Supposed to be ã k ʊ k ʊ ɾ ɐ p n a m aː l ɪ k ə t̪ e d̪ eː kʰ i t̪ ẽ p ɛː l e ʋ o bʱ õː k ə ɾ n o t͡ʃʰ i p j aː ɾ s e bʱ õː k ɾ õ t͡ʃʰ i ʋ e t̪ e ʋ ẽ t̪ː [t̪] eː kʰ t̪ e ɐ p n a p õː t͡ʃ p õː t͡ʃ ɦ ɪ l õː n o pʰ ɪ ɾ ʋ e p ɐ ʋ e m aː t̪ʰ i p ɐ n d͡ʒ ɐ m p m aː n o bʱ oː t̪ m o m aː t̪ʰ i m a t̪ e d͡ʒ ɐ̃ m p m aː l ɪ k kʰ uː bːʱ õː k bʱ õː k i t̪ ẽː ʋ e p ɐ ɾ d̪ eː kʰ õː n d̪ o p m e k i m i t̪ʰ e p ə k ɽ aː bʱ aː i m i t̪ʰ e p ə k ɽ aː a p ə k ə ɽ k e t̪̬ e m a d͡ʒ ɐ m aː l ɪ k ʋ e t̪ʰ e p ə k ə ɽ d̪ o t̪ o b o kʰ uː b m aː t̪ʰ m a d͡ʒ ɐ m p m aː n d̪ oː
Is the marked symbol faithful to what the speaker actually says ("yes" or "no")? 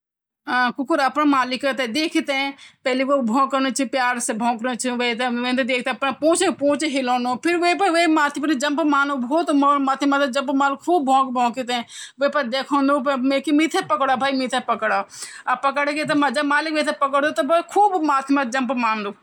no